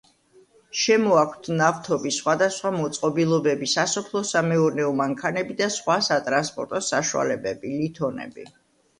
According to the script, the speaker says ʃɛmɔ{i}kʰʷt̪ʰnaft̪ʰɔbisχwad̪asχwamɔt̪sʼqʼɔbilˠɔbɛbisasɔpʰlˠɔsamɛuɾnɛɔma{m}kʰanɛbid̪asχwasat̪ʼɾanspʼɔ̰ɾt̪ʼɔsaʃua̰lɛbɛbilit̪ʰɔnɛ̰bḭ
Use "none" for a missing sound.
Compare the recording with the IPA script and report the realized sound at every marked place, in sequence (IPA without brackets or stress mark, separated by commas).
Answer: a, ŋ